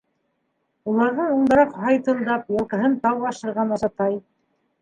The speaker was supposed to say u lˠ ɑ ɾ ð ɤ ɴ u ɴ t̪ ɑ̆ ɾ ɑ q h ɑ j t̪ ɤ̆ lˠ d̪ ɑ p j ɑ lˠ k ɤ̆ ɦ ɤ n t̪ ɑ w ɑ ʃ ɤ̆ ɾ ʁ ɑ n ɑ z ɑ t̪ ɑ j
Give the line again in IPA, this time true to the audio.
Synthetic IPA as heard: u lˠ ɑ ɾ ð ɤ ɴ u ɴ d̪ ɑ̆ ɾ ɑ q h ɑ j t̪ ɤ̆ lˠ d̪ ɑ p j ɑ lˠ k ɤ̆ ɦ ɤ n t̪ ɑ w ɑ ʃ ɤ̆ ɾ ʁ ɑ n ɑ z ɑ t̪ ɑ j